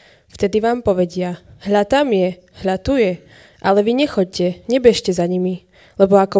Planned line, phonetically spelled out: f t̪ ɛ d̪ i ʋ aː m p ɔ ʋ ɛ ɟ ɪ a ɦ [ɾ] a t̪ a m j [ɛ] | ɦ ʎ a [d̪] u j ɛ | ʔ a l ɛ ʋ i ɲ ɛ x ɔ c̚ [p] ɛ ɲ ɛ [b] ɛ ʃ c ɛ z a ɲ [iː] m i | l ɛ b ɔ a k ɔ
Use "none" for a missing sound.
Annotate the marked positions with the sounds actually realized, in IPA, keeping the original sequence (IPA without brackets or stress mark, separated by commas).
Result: ʎ, ɛ, t̪, c, b, i